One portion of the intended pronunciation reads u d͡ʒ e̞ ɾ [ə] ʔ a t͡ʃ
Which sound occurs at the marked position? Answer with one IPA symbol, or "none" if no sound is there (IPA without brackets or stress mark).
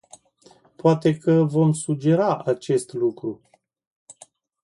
a